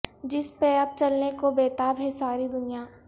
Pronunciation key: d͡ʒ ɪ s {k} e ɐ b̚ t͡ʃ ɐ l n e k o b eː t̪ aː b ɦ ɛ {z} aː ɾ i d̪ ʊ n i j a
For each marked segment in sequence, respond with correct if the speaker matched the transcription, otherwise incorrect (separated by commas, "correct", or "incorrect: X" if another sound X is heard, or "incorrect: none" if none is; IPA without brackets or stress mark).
incorrect: p, incorrect: s